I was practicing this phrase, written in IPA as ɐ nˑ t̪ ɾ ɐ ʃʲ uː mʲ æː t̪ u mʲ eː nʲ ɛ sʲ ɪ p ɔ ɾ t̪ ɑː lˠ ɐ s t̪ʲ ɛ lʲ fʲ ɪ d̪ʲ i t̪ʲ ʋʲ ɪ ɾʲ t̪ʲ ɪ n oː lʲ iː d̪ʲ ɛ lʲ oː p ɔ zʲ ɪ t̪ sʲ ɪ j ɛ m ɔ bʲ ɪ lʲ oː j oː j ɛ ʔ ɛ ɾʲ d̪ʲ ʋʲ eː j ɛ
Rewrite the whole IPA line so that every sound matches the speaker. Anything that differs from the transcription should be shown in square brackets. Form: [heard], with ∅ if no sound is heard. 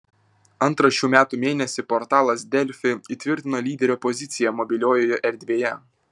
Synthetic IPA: ɐ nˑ t̪ ɾ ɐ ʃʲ uː mʲ æː t̪ u mʲ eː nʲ ɛ sʲ ɪ p ɔ ɾ t̪ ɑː lˠ ɐ s [d̪ʲ] ɛ lʲ fʲ ɪ [∅] i t̪ʲ ʋʲ ɪ ɾʲ t̪ʲ ɪ n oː lʲ iː d̪ʲ ɛ [ɾʲ] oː p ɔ zʲ ɪ t̪ sʲ ɪ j ɛ m ɔ bʲ ɪ lʲ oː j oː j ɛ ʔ ɛ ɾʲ d̪ʲ ʋʲ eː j ɛ